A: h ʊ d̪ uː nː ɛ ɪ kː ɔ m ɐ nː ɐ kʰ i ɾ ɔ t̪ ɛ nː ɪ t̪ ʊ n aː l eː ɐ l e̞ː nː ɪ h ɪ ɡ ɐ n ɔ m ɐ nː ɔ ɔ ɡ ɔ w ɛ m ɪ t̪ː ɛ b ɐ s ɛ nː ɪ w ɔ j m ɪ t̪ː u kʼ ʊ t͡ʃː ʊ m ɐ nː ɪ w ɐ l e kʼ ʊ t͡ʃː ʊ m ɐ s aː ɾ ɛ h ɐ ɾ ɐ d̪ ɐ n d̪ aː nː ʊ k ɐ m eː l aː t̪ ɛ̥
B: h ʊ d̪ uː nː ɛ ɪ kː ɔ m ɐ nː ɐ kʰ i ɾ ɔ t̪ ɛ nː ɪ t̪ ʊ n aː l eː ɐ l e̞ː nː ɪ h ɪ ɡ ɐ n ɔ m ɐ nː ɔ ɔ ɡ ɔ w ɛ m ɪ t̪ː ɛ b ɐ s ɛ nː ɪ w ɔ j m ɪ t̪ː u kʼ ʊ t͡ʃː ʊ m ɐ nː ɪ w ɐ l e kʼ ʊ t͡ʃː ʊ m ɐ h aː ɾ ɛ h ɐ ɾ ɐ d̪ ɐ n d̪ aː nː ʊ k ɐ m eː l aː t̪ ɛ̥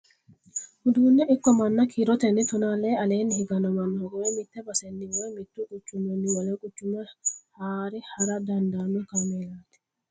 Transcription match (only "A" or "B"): B